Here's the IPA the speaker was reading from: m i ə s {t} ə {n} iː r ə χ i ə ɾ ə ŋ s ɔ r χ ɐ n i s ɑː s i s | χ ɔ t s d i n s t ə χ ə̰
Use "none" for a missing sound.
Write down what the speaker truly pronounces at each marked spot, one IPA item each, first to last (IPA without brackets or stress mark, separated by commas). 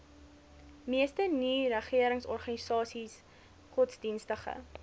t, n